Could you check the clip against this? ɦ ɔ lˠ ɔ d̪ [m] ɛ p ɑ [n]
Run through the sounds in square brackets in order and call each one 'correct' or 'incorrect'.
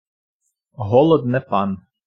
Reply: incorrect, correct

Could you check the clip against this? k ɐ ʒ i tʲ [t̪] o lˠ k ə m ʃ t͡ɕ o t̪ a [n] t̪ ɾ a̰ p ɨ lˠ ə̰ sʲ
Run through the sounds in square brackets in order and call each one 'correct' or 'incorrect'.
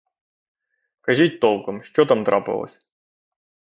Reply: correct, incorrect

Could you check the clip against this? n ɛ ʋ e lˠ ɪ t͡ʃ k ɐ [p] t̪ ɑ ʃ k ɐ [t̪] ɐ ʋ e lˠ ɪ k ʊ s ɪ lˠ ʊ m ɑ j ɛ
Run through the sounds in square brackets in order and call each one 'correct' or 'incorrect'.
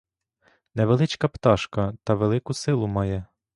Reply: correct, correct

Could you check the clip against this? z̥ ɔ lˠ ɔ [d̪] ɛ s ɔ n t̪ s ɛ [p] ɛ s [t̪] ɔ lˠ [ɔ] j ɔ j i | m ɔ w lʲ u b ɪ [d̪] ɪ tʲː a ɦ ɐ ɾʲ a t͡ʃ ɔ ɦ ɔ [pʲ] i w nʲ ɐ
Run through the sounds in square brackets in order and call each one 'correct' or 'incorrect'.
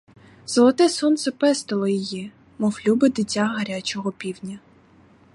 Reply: incorrect, correct, correct, correct, correct, correct

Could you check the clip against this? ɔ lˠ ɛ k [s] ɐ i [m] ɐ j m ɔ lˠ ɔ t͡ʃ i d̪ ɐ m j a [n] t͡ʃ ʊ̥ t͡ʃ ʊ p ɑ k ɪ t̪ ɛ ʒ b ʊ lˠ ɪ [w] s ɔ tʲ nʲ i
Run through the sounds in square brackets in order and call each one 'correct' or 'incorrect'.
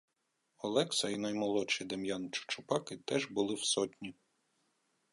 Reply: correct, incorrect, correct, correct

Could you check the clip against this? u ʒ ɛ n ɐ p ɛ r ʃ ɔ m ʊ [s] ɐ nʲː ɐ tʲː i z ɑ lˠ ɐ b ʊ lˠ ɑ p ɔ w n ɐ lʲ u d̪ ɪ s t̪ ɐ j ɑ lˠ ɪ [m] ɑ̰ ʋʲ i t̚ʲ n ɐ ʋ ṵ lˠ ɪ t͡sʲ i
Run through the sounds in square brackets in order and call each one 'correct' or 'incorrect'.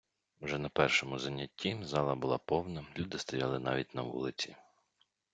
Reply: incorrect, incorrect

